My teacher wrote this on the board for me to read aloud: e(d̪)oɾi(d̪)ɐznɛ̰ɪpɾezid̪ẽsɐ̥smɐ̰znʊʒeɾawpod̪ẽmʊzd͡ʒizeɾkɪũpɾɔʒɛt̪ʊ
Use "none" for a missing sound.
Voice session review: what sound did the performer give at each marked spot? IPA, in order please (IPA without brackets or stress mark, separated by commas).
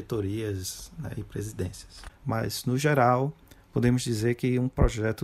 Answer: t̪, none